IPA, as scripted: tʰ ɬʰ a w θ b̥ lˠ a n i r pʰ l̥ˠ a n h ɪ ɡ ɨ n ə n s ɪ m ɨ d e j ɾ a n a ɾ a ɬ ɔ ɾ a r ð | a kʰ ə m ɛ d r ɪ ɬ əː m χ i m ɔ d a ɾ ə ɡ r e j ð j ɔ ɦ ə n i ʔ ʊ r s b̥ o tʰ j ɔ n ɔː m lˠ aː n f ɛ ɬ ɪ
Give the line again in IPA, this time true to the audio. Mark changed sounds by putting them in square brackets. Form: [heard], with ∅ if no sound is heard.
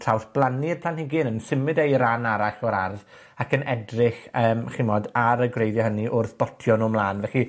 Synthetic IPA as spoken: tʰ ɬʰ a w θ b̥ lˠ a n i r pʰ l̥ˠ a n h ɪ ɡ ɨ n ə n s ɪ m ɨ d e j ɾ a n a ɾ a ɬ ɔ ɾ a r ð | a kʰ ə [n] ɛ d r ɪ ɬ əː m χ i m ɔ d a ɾ ə ɡ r e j ð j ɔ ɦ ə n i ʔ ʊ r [θ] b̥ [ɔ] tʰ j ɔ n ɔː m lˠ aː n [v] ɛ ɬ [i]

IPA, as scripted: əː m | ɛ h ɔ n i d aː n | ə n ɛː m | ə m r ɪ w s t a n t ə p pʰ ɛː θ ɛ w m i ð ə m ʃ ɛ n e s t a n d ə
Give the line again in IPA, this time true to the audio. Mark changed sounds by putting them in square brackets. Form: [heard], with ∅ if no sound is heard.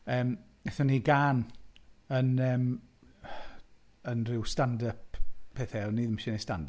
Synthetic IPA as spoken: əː m | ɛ [θ] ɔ n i [ɡ] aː n | ə n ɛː m | ə [n] r ɪ w s t a n [d] ə p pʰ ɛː θ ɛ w [n] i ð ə m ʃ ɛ n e s t a n d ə

